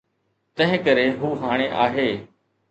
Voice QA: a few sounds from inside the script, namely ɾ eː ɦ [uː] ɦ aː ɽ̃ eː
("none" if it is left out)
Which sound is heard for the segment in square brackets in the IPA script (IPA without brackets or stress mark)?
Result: uː